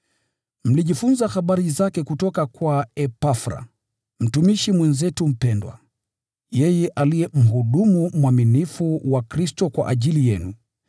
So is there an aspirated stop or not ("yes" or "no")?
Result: no